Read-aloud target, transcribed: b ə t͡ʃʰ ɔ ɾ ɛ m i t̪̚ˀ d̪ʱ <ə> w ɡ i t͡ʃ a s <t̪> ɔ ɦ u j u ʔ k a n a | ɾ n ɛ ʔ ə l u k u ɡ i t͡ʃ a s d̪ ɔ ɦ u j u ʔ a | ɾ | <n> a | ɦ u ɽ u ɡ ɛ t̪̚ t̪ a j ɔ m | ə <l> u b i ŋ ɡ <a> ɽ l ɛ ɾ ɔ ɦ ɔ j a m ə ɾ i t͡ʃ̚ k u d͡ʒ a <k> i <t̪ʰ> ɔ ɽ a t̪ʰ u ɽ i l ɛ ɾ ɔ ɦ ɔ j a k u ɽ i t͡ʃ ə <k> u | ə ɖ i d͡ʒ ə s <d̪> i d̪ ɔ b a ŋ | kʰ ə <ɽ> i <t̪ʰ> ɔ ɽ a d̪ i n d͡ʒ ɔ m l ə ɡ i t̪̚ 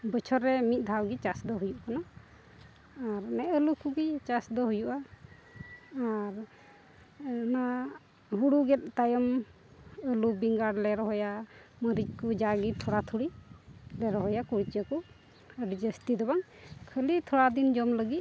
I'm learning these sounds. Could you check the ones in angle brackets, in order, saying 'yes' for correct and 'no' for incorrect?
no, no, yes, yes, yes, no, yes, yes, no, no, yes

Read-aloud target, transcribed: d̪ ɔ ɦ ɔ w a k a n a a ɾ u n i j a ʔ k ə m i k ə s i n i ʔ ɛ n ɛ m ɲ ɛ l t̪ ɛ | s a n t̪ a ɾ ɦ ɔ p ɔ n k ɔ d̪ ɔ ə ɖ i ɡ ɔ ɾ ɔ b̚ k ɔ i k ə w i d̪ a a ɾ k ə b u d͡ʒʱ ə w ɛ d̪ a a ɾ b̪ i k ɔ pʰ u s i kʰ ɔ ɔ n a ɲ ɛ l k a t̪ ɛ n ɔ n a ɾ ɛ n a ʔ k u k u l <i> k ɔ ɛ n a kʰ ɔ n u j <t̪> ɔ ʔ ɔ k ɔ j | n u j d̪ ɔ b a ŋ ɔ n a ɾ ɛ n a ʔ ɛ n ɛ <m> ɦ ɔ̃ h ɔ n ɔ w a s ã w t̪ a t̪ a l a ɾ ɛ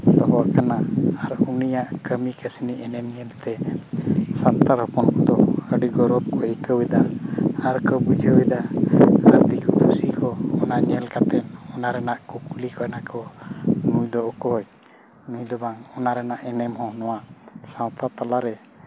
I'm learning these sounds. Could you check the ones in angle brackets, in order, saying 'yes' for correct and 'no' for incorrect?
yes, no, yes

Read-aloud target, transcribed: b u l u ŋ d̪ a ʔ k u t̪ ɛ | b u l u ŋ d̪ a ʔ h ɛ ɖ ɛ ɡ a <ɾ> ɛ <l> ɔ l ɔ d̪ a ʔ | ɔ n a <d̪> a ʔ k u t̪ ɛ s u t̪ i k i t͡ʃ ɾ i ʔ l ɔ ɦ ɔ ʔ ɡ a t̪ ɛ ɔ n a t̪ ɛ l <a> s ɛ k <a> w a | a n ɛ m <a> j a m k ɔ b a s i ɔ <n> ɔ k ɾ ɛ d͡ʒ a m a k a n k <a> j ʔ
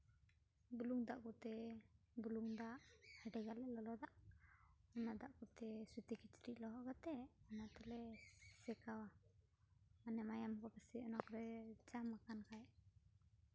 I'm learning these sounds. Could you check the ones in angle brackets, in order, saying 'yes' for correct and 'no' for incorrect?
no, yes, yes, no, yes, yes, yes, yes

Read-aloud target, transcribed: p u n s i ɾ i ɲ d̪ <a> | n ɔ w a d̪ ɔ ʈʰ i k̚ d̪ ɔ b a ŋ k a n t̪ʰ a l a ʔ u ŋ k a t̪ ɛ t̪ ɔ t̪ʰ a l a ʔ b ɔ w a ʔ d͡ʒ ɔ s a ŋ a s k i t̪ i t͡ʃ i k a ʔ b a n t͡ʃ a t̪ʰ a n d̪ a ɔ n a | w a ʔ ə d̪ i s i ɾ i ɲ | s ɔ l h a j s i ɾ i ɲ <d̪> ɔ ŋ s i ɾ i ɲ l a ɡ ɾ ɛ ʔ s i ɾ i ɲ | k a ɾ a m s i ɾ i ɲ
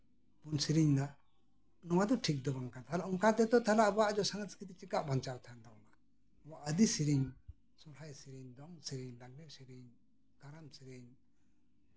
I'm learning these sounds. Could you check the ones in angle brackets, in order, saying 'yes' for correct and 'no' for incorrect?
yes, yes

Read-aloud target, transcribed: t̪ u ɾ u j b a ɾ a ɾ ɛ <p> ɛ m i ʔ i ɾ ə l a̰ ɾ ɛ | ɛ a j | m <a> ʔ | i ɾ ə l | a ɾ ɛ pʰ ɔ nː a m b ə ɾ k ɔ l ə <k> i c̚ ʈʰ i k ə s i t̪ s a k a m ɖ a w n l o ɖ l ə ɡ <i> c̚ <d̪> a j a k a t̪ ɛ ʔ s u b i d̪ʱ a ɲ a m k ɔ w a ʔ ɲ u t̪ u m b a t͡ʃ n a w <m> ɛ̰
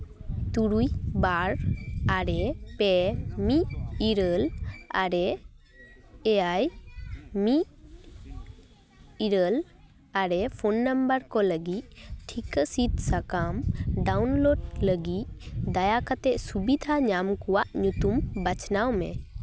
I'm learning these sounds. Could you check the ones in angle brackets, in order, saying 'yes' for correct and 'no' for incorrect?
yes, no, no, yes, yes, yes

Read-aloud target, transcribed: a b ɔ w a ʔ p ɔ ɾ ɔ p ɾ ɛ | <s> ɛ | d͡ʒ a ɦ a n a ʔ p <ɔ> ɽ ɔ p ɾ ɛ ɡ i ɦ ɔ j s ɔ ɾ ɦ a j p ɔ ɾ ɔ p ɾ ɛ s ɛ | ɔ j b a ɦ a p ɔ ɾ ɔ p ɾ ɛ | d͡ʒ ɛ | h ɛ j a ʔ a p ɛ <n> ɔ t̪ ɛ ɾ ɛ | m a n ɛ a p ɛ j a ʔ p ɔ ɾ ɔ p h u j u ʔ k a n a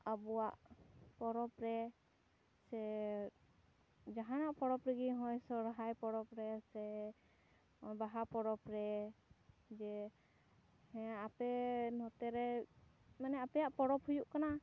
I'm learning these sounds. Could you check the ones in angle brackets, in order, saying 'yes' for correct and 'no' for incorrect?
yes, yes, yes

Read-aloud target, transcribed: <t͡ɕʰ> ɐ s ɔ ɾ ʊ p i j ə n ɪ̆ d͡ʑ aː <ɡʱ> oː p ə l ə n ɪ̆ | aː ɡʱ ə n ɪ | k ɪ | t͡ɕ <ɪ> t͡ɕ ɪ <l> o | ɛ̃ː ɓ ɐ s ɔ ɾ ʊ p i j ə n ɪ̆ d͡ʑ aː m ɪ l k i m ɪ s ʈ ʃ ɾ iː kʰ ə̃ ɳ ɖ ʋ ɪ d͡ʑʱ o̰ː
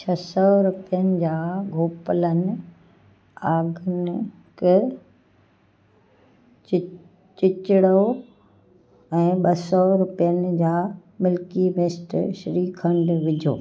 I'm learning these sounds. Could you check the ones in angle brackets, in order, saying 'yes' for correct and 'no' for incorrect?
yes, yes, yes, no

